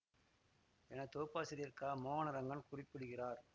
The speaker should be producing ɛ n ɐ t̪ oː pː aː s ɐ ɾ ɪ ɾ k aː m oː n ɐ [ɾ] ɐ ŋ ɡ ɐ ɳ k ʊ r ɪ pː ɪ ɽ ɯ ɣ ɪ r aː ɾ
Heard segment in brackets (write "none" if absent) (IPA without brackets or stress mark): ɾ